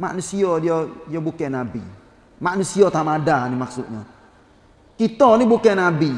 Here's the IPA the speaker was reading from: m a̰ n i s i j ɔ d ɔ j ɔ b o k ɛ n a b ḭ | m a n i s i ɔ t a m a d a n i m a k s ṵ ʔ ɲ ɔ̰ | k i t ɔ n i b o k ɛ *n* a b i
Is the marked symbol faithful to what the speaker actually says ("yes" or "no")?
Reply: yes